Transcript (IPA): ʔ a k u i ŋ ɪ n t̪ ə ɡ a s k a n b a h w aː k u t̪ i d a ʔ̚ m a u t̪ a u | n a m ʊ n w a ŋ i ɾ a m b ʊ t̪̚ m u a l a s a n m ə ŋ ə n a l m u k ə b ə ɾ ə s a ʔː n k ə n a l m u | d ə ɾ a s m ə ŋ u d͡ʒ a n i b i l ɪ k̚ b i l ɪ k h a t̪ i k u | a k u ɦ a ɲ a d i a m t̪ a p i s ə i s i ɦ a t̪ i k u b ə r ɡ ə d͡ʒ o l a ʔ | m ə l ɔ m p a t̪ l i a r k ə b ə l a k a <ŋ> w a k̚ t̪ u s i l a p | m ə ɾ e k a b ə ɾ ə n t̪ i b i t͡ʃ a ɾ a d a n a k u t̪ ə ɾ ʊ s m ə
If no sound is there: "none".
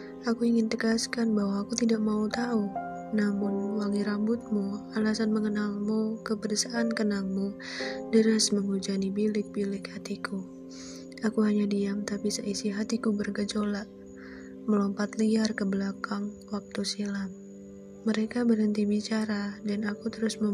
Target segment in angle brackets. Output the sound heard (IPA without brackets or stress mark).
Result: ŋ